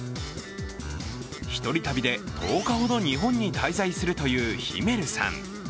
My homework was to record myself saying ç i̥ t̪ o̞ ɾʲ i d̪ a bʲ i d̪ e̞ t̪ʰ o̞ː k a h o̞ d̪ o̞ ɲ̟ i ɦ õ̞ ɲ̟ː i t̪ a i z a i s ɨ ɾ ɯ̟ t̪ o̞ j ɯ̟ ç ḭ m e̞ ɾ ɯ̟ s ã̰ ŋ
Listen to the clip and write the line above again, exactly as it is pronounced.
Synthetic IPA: ç i̥ t̪ o̞ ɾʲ i t̪ a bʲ i d̪ e̞ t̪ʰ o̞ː k a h o̞ d̪ o̞ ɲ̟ i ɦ õ̞ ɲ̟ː i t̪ a i z a i s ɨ ɾ ɯ̟ t̪ o̞ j ɯ̟ː ç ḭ m e̞ ɾ ɯ̟ s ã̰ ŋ

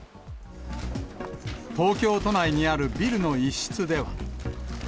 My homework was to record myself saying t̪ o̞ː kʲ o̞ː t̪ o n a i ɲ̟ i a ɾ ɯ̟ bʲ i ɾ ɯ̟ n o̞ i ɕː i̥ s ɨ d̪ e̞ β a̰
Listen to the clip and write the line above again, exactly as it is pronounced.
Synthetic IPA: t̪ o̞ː kʲ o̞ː t̪ o n a i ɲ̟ i a ɾ ɯ̟ bʲ i ɾ ɯ̟ n o̞ i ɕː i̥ t͡s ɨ d̪ e̞ β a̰

